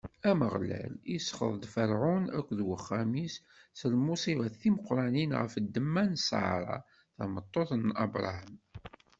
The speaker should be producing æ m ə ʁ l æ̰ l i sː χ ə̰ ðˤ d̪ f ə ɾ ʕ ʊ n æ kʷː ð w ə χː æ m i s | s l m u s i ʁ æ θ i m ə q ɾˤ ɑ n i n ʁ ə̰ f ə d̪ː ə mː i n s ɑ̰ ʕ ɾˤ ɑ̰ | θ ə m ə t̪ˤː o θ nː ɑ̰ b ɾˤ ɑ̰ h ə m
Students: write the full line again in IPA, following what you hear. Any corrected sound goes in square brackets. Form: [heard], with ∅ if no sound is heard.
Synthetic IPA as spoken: æ m ə ʁ l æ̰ l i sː χ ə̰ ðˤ d̪ f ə ɾ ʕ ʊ n æ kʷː ð w ə χː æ m i s | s l m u s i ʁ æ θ i m ə q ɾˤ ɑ n i n ʁ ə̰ f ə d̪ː ə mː [æ] n s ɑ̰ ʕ ɾˤ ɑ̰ | θ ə m ə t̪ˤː o θ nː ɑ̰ b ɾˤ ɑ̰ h ə m